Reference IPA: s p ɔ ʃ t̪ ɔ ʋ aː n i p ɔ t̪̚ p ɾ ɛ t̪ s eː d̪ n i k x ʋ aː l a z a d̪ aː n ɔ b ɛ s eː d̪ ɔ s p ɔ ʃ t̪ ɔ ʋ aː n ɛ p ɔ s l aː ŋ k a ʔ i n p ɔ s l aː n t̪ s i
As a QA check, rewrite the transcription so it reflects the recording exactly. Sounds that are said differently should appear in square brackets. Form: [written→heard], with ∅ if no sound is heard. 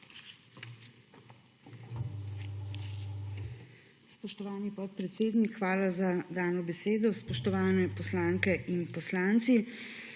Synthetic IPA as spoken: s p ɔ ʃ t̪ ɔ ʋ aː n i p ɔ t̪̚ p ɾ ɛ t̪ s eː d̪ n i k x ʋ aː l a z a d̪ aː n ɔ b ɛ s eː d̪ ɔ s p ɔ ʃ t̪ ɔ ʋ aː n ɛ p ɔ s l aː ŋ k [a→ɛ] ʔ i n p ɔ s l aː n t̪ s i